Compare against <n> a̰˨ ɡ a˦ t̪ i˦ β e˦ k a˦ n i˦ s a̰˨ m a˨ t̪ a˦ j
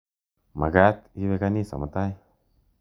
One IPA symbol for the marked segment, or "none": m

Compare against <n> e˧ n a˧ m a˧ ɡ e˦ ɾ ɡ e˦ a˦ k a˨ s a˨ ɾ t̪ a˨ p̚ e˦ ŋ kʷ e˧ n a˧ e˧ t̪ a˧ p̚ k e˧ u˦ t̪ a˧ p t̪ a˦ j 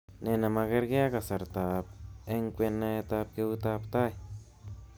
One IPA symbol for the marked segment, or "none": n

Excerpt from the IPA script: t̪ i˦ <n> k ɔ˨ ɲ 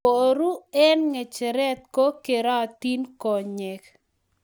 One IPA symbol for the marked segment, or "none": n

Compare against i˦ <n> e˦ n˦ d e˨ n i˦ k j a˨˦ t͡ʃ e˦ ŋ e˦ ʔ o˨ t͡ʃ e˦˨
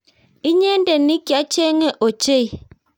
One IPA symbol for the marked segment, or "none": ɲ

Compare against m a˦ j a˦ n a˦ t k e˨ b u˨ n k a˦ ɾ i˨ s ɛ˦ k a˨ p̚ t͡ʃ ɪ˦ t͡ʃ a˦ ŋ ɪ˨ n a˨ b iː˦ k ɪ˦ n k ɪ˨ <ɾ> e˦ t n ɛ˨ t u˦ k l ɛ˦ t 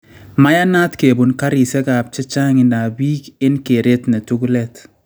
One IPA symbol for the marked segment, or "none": ɾ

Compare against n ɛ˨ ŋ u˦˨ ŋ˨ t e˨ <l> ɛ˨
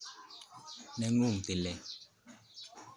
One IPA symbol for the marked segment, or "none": l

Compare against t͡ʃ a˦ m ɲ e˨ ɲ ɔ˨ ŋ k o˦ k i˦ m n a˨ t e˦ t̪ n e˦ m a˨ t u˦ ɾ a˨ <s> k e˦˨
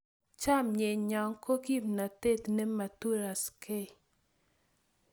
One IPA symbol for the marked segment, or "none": s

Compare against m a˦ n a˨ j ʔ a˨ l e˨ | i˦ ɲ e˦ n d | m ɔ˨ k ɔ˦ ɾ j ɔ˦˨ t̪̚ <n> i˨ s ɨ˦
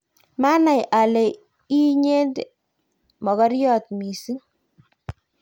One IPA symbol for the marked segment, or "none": m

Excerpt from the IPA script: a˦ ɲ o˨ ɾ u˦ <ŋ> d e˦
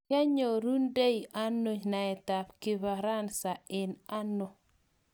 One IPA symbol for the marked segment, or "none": n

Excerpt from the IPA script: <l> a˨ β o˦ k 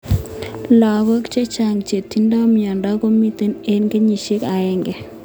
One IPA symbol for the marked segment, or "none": l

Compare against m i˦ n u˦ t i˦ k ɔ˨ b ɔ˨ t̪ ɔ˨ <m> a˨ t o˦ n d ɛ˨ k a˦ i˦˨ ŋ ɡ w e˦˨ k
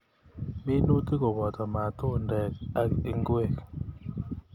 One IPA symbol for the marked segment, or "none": m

